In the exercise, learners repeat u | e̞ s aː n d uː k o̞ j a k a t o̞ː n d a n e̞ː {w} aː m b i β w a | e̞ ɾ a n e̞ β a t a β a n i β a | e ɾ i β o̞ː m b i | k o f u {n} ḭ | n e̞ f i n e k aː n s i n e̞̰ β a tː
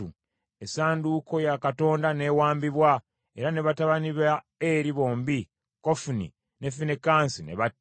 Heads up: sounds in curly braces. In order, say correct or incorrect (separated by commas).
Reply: correct, correct